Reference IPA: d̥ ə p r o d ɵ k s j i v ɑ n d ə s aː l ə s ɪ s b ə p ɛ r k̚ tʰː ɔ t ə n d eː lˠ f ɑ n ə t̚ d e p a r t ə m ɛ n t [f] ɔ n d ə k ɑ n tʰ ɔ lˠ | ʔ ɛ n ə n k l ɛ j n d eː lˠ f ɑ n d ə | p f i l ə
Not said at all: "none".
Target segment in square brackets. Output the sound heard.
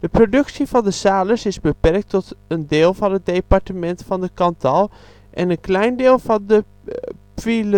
f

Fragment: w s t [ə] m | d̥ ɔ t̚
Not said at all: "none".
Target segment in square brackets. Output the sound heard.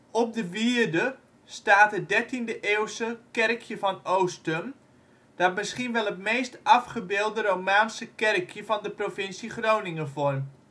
ə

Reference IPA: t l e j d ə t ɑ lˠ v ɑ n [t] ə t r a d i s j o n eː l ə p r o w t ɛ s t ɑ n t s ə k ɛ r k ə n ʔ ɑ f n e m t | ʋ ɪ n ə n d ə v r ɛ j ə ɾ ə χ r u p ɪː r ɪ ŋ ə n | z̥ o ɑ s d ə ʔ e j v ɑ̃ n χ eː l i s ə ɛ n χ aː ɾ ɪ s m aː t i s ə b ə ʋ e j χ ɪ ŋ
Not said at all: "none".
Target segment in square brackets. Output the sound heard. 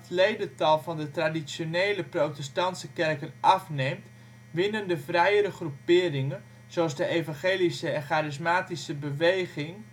d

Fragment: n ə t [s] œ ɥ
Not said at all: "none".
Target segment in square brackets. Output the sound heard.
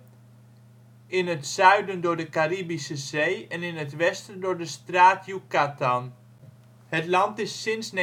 s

